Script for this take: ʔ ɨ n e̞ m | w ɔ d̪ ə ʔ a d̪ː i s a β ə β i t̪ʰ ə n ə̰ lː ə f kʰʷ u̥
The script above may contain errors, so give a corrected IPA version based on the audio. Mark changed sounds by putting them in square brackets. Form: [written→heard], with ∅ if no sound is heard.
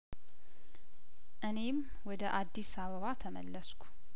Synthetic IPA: ʔ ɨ n e̞ m | w ɔ d̪ ə ʔ a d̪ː i s a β ə β [i→a] t̪ʰ ə [n→m] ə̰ lː ə [f→s] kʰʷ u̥